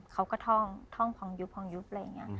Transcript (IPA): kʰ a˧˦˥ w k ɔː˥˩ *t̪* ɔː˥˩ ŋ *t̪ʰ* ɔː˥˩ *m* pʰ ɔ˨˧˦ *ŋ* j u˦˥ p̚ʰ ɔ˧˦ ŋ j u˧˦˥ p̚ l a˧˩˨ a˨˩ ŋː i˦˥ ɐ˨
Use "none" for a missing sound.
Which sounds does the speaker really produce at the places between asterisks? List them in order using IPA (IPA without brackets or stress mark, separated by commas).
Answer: t̪ʰ, t̪ʰ, ŋ, ŋ